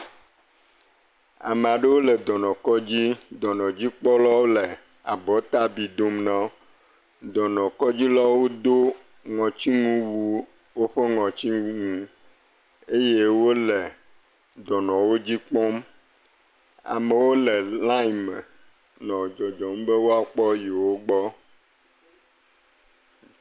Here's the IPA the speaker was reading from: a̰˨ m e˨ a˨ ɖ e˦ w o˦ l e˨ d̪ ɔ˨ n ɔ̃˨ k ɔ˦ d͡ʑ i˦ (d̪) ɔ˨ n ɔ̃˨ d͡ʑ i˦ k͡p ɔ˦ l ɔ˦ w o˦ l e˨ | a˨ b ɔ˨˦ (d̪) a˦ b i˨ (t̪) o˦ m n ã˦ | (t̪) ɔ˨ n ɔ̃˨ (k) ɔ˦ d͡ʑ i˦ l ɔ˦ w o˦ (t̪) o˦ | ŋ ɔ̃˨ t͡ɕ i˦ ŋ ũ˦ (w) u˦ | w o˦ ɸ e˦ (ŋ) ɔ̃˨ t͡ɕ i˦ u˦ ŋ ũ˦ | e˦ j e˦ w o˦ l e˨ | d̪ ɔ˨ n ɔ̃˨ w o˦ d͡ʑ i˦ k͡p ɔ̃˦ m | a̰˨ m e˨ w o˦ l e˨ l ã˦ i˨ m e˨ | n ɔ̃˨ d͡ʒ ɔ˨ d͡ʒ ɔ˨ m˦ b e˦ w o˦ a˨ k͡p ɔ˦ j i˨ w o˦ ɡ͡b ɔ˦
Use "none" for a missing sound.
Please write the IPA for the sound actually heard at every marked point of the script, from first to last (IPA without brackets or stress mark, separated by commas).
d̪, t̪, d̪, d̪, k, d̪, w, ŋ